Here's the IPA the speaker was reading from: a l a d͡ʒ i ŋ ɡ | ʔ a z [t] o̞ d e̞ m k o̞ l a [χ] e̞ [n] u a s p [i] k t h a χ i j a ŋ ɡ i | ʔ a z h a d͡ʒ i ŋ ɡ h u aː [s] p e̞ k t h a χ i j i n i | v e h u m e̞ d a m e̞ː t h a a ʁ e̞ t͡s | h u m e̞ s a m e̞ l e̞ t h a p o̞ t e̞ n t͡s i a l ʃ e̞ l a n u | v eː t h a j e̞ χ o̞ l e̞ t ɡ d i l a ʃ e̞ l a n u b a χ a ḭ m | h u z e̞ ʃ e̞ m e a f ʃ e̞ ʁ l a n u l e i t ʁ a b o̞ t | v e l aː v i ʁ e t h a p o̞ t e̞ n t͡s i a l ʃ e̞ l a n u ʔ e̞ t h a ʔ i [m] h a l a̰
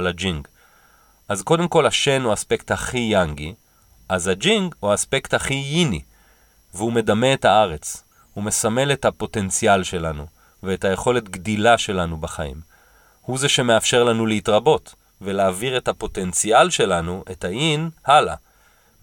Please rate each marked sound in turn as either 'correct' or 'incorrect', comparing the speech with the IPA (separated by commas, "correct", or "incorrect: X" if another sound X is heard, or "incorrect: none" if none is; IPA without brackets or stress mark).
incorrect: k, incorrect: ʃ, correct, incorrect: e, correct, incorrect: n